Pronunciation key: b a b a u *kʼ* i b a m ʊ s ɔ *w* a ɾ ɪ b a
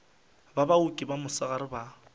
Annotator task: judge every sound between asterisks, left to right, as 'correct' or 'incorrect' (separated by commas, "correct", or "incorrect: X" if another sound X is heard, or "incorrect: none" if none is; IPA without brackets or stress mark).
correct, incorrect: ɣ